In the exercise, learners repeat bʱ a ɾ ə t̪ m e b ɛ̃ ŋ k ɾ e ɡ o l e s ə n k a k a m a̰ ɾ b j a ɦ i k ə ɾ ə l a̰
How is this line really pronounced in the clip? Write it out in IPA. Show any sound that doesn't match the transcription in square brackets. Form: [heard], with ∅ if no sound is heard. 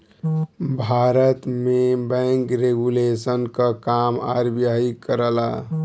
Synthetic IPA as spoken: bʱ a ɾ ə t̪ m e b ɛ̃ ŋ k ɾ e ɡ [u] l e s ə n k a k a m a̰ ɾ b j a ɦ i k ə ɾ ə l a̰